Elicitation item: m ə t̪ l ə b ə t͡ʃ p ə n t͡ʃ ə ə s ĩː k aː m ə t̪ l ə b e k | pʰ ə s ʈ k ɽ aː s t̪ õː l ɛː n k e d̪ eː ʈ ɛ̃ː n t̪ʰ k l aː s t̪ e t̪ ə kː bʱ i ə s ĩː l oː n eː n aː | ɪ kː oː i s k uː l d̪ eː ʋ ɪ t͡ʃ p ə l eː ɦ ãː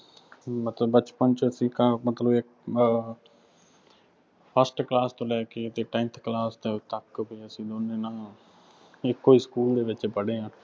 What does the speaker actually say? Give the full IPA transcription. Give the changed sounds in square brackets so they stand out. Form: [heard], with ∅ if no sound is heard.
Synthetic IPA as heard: m ə t̪ l ə b ə t͡ʃ p ə n t͡ʃ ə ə s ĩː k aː m ə t̪ l ə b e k | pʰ ə s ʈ k [l] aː s t̪ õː l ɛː [∅] k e [t̪] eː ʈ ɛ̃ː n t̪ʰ k l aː s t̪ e t̪ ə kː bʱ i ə s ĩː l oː n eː n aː | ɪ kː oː i s k uː l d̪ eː ʋ ɪ t͡ʃ p ə [ɽ] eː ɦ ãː